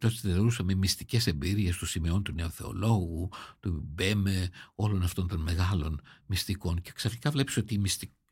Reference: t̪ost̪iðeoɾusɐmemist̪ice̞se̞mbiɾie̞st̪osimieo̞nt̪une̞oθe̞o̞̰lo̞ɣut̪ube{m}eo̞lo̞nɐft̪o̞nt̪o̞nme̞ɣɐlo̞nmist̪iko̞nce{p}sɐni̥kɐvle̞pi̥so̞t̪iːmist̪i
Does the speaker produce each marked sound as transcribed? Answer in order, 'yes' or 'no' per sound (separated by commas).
yes, no